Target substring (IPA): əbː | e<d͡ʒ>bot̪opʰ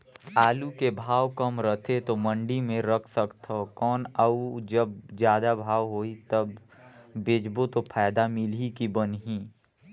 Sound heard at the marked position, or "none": d͡ʒ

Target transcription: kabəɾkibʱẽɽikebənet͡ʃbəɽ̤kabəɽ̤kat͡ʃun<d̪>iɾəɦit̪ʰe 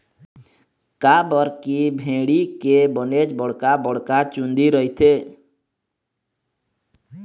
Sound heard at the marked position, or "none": d̪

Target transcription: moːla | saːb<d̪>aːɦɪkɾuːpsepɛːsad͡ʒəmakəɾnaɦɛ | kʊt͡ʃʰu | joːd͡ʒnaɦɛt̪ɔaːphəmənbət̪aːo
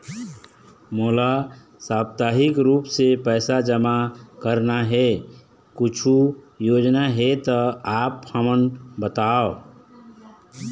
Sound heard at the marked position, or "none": t̪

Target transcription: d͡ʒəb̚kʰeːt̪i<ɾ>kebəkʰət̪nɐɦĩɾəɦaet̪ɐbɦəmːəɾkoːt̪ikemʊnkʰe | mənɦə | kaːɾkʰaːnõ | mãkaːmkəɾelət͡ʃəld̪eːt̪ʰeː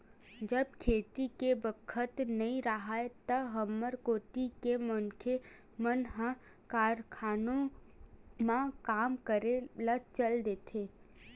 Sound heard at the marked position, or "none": none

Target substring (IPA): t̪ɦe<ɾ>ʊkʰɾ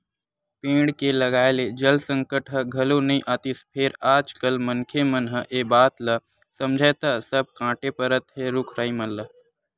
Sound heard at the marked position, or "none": ɾ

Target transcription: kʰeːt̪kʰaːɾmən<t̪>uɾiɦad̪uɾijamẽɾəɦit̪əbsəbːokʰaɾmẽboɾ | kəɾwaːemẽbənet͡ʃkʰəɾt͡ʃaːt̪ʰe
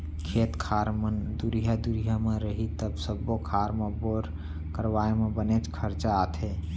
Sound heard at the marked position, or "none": d̪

